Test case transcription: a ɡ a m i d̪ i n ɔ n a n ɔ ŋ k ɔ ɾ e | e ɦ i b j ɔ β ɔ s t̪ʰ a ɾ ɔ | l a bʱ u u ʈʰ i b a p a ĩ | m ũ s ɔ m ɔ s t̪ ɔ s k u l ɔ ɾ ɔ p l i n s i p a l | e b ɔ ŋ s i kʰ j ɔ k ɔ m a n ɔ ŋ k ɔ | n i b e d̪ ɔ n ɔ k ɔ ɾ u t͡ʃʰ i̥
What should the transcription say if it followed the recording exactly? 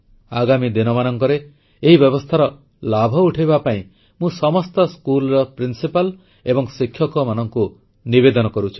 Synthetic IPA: a ɡ a m i d̪ i n ɔ m a n ɔ ŋ k ɔ ɾ e | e ɦ i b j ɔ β ɔ s t̪ʰ a ɾ ɔ | l a bʱ ɔ u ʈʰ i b a p a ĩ | m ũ s ɔ m ɔ s t̪ ɔ s k u l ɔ ɾ ɔ p ɾ i n s i p a l | e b ɔ ŋ s i kʰ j ɔ k ɔ m a n ɔ ŋ k u | n i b e d̪ ɔ n ɔ k ɔ ɾ u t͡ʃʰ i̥